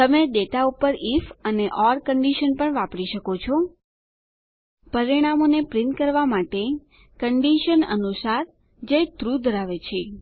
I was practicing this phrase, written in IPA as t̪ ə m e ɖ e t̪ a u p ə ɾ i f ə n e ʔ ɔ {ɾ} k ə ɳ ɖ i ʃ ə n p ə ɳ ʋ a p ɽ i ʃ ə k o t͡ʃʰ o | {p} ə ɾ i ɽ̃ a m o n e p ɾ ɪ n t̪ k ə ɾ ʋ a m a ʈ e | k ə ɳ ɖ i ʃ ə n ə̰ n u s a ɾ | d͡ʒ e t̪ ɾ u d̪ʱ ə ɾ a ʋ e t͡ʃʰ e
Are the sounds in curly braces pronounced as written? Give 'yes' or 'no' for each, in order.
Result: yes, yes

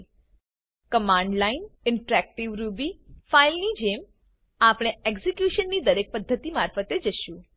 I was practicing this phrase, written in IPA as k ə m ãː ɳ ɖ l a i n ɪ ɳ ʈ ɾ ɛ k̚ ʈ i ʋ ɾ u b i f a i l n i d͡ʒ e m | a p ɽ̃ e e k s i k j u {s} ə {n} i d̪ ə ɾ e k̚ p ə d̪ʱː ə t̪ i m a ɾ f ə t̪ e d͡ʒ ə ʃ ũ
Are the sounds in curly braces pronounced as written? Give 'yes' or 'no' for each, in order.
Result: no, no

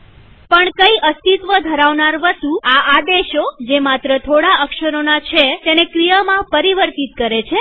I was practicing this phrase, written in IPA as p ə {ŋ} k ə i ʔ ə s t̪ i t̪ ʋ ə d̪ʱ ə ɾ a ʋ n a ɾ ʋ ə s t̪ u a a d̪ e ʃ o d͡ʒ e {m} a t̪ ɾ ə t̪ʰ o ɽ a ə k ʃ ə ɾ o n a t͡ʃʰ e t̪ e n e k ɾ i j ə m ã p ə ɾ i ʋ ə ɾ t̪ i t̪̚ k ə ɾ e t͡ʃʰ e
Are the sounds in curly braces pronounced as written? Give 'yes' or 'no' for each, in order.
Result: no, yes

